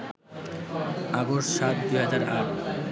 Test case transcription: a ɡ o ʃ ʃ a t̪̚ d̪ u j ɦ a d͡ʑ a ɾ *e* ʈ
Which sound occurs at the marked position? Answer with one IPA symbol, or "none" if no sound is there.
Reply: a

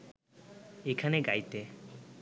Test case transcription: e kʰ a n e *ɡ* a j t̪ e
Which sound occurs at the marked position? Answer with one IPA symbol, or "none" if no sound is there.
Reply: ɡ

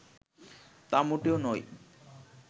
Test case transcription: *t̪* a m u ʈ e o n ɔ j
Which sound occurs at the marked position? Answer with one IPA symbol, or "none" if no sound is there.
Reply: t̪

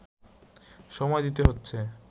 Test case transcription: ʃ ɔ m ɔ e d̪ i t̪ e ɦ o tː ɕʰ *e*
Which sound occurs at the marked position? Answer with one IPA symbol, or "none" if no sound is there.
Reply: e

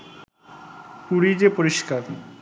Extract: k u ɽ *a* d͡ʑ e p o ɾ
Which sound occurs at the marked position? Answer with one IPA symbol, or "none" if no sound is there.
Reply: i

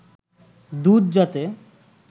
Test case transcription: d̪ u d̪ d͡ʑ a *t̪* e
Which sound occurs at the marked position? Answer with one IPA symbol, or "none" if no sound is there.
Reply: t̪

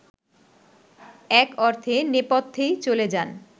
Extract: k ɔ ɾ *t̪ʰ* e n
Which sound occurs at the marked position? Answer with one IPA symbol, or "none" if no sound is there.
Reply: t̪ʰ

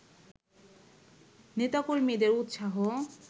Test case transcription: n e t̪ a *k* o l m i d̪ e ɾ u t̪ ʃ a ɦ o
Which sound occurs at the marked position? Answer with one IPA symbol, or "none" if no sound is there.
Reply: k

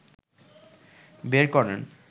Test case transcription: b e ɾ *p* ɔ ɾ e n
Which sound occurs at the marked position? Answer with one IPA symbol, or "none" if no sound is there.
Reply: k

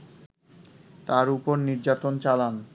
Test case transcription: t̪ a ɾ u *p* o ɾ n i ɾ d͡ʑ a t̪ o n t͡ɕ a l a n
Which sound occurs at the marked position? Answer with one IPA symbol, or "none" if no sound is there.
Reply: p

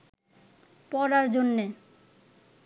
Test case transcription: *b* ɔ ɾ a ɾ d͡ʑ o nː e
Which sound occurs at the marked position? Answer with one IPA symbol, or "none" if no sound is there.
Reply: p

